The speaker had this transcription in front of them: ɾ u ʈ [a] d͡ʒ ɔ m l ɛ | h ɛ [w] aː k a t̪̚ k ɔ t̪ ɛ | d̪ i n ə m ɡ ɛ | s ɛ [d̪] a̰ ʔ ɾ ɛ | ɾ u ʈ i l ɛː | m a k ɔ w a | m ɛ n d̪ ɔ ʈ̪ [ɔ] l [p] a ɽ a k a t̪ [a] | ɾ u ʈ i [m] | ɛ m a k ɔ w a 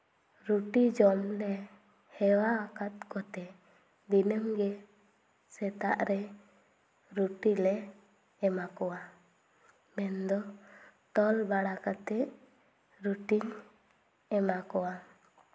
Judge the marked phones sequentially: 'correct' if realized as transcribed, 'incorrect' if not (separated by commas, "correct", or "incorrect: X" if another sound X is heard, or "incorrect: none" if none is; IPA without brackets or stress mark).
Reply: incorrect: i, correct, incorrect: t̪, correct, incorrect: b, incorrect: ɛ, incorrect: ɲ